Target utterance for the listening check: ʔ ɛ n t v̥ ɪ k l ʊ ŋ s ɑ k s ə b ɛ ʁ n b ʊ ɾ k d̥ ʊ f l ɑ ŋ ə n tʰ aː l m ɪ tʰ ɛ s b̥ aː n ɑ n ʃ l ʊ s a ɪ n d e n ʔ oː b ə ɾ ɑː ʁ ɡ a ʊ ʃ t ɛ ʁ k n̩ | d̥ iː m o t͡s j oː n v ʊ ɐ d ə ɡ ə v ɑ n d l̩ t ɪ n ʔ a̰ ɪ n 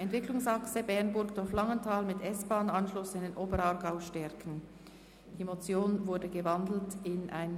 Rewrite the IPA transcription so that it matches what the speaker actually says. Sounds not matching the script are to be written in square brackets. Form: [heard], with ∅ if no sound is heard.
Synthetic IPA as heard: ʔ ɛ n t v̥ ɪ k l ʊ ŋ s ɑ k s ə b ɛ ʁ n b ʊ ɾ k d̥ ʊ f l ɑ ŋ ə n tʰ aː l m ɪ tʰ ɛ s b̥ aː n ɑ n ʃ l ʊ s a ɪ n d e n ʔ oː b ə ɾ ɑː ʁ ɡ a ʊ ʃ t ɛ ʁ k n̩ | d̥ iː m o t͡s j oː n v ʊ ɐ d ə ɡ ə v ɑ n d l̩ t ɪ n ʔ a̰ ɪ n

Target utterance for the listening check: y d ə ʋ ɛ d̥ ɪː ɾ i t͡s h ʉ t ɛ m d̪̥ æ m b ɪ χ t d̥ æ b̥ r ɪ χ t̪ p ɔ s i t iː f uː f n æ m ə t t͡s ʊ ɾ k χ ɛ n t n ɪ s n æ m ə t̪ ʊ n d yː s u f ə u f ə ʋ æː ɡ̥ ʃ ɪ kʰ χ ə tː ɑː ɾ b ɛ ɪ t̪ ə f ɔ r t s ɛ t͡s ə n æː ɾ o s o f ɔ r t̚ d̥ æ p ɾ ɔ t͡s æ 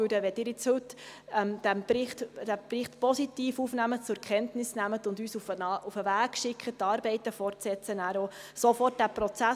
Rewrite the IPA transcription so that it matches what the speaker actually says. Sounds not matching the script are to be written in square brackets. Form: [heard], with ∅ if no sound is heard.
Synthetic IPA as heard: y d ə ʋ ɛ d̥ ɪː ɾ [ɪ] t͡s h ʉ t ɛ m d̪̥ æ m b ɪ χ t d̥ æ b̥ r ɪ χ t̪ p ɔ s i t iː f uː f n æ m ə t t͡s ʊ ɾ k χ ɛ n t n ɪ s n æ m ə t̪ ʊ n d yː s u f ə u f ə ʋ æː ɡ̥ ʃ ɪ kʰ χ ə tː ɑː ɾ b ɛ ɪ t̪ ə f ɔ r t s ɛ t͡s ə n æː ɾ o s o f ɔ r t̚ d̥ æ p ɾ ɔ t͡s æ

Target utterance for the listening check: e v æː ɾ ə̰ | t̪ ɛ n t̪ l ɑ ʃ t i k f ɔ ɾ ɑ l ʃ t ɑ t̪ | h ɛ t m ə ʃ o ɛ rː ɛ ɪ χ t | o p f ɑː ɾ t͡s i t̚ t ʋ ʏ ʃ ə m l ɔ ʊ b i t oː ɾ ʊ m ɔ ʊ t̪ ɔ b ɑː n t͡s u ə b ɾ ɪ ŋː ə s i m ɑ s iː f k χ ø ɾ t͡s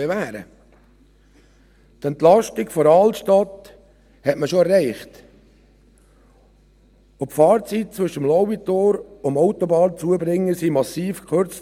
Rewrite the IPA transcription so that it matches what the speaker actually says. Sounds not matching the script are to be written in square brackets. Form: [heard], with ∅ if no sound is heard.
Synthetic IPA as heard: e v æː ɾ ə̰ | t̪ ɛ n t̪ l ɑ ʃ t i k f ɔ ɾ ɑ l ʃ t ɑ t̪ | h ɛ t m ə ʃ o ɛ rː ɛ ɪ χ t | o p f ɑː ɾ t͡s i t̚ [t͡s] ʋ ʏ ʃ ə m l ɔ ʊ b i t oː ɾ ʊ m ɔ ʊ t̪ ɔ b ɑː n t͡s u ə b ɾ ɪ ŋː ə s i m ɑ s iː f k χ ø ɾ t͡s

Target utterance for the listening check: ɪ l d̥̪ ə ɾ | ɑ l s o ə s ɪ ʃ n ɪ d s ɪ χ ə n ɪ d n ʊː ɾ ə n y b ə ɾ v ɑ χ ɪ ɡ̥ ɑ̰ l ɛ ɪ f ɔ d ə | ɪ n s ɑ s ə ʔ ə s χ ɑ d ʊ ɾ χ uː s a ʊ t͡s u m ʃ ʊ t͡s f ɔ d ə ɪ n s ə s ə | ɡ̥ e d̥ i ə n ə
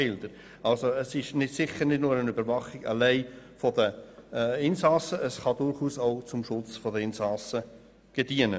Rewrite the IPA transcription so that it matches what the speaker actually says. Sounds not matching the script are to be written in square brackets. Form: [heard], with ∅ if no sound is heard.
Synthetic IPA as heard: ɪ l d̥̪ ə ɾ | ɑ l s o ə s ɪ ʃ n ɪ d s ɪ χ ə n ɪ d n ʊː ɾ ə n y b ə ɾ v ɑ χ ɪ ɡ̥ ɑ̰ l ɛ ɪ f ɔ d ə | ɪ n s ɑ s ə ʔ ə s χ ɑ d ʊ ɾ χ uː s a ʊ t͡s [ʊ] m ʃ ʊ t͡s f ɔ d ə ɪ n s [ɑ] s ə | ɡ̥ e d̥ i ə n ə

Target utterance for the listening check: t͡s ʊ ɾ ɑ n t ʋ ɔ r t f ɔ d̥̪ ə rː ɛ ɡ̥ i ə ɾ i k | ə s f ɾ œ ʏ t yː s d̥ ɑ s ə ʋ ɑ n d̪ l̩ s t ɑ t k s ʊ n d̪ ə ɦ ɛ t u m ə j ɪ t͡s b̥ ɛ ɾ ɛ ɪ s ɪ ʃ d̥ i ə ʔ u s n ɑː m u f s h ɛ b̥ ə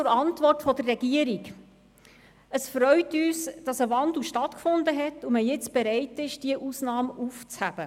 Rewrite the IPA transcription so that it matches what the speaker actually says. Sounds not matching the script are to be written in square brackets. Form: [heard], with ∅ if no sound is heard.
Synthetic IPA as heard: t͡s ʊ ɾ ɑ n t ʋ ɔ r t f ɔ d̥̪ ə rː ɛ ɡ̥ i ə ɾ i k | ə s f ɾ œ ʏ t yː s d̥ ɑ s ə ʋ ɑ n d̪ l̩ [ʃ] t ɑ t k [f] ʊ n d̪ ə ɦ ɛ t u m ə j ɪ t͡s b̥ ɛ ɾ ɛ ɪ [t] ɪ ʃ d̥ i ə ʔ u s n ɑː m u f [t͡s] h [æ] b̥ ə

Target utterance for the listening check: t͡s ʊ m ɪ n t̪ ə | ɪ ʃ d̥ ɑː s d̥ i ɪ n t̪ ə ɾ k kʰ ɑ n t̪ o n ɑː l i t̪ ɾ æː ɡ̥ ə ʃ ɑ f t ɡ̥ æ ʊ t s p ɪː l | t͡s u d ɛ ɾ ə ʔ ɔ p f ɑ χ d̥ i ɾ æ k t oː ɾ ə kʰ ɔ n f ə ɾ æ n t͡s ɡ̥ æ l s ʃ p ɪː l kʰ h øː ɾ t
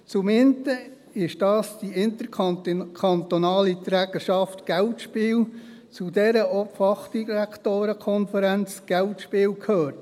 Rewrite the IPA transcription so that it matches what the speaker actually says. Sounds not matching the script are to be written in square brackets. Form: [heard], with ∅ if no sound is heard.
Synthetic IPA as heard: t͡s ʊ m ɪ n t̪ ə | ɪ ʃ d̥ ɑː s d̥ i ɪ n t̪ ə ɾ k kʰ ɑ n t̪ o n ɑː l i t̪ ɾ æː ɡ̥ ə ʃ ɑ f t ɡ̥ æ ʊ t [ʃ] p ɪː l | t͡s u d ɛ ɾ ə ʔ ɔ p f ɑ χ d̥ i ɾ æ k t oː ɾ ə kʰ ɔ n f ə ɾ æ n t͡s ɡ̥ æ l [t] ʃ p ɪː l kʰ h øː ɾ t

